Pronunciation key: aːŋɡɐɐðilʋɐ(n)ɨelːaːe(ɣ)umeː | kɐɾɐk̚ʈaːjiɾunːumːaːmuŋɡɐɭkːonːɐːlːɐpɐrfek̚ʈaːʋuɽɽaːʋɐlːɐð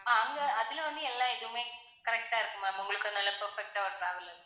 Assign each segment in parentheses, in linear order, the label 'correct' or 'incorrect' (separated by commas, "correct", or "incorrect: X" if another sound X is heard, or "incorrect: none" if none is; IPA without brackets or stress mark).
incorrect: nː, incorrect: ð